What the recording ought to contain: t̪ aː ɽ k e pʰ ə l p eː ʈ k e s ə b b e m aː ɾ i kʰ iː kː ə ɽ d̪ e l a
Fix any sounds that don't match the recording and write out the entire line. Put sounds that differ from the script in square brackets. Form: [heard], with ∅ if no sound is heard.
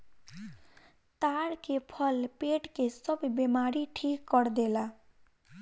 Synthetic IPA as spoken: t̪ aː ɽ k e pʰ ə l p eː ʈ k e s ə b b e m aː ɾ i [ʈʰ] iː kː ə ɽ d̪ e l a